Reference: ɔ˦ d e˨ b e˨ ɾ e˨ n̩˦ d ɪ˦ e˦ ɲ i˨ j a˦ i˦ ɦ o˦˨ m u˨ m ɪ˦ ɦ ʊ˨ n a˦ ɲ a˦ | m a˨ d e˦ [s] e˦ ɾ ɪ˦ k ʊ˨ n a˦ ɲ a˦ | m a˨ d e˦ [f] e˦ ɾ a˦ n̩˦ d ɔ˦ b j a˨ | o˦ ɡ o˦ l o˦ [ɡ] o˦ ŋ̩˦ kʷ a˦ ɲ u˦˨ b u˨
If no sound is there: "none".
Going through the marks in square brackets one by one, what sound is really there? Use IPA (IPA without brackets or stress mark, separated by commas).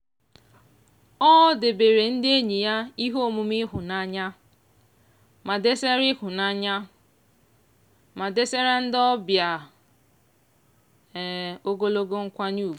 s, s, ɡ